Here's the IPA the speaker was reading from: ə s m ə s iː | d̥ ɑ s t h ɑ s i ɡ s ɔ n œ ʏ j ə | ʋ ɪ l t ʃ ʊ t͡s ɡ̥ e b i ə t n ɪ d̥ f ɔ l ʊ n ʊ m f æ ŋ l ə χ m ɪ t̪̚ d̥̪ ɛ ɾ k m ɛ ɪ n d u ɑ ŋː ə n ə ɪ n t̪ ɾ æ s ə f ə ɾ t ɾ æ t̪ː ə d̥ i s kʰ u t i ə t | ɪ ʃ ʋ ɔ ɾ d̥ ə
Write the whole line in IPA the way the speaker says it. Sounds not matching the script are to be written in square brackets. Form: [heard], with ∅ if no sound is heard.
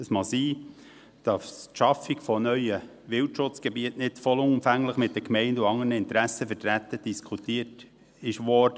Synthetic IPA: ə s m [ɑ] s iː | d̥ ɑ s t [ʃ] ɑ [f] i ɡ [f] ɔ n œ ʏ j ə | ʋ ɪ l t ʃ ʊ t͡s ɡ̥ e b i ə t n ɪ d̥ f ɔ l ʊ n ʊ m f æ ŋ l ə χ m ɪ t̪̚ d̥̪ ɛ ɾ k m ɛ ɪ n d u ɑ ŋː ə n ə ɪ n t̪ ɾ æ s ə f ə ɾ t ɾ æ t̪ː ə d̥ i s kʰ u t i ə t | ɪ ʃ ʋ ɔ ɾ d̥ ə